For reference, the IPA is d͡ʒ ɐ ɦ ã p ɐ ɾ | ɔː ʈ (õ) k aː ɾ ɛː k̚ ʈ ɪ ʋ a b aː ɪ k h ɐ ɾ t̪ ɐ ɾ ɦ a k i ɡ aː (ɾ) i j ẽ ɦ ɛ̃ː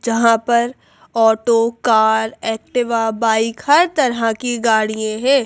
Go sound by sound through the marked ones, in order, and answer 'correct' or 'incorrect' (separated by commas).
incorrect, incorrect